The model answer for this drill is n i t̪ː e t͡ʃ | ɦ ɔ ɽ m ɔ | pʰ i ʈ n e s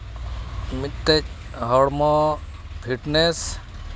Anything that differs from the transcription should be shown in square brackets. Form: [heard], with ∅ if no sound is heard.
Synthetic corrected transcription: [m] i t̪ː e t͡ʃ | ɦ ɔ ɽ m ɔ | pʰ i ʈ n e s

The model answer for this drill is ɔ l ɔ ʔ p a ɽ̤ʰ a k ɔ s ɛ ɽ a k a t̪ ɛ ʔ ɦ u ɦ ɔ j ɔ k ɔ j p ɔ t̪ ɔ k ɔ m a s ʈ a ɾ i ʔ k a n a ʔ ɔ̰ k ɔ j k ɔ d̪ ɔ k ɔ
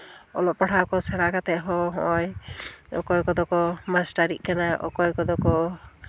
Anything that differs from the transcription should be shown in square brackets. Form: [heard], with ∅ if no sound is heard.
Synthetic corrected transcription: ɔ l ɔ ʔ p a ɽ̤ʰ a k ɔ s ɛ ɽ a k a t̪ ɛ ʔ ɦ [ɔ] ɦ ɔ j ɔ k ɔ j [k] ɔ [d̪] ɔ k ɔ m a s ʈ a ɾ i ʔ k a n a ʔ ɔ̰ k ɔ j k ɔ d̪ ɔ k ɔ

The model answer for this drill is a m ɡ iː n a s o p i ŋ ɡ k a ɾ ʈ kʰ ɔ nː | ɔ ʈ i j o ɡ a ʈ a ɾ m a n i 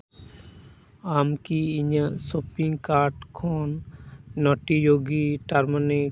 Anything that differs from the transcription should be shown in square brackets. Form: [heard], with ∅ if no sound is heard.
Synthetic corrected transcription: a m [k] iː [ɲ] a s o p i ŋ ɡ k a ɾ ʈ kʰ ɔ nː | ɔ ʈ i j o ɡ [i] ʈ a ɾ m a n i

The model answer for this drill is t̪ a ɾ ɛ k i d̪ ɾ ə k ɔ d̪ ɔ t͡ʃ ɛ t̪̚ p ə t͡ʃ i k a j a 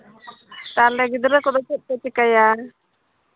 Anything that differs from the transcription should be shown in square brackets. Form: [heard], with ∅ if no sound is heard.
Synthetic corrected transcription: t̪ a [l] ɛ [ɡ] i d̪ ɾ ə k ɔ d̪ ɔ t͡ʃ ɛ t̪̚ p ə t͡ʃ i k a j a

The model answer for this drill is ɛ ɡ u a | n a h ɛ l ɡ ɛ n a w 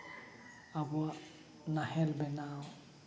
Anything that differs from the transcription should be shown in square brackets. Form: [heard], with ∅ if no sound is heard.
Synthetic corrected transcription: [a] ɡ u a | n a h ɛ l [b] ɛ n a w

